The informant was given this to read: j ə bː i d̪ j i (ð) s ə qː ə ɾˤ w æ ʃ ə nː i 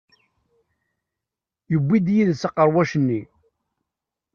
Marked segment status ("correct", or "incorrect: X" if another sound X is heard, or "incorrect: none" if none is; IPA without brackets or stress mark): correct